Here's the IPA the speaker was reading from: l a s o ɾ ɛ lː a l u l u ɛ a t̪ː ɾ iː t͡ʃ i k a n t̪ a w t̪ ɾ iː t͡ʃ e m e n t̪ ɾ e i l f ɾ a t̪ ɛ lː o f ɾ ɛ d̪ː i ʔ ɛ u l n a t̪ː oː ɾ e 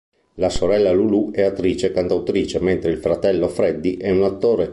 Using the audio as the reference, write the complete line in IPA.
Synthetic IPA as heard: l a s o ɾ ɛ lː a l u l u ɛ a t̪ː ɾ iː t͡ʃ e k a n t̪ a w t̪ ɾ iː t͡ʃ e m e n t̪ ɾ e i l f ɾ a t̪ ɛ lː o f ɾ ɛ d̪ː i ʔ ɛ u n a t̪ː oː ɾ e